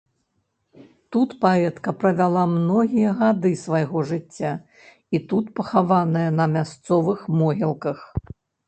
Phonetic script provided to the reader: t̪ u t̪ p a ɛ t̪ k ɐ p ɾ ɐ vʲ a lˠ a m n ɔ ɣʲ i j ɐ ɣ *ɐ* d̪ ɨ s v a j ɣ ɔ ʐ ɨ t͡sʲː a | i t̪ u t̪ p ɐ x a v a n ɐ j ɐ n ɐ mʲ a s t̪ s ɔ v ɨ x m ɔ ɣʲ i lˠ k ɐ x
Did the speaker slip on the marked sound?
yes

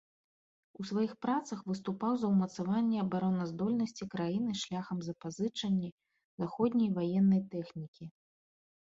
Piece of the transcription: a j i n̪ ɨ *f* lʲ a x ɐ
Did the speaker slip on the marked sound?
yes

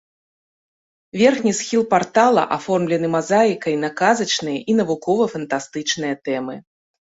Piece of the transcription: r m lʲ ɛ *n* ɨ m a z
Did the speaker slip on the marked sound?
no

